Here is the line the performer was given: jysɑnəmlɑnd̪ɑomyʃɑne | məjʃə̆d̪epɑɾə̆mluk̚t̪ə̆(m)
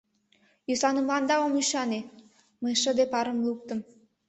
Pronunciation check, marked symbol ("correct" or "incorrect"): correct